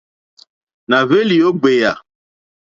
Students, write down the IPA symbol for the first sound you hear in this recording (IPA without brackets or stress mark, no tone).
n